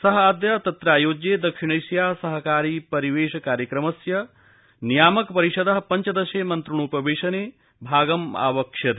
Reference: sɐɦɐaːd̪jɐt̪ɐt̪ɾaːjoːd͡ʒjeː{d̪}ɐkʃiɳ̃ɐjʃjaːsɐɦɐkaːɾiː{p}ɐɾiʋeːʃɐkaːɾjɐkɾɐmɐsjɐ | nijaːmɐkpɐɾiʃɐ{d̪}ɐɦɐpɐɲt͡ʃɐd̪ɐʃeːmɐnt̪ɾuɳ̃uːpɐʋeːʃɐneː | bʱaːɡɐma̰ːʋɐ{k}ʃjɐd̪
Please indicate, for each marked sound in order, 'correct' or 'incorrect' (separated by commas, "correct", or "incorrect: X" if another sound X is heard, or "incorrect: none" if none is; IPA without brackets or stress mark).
correct, correct, correct, correct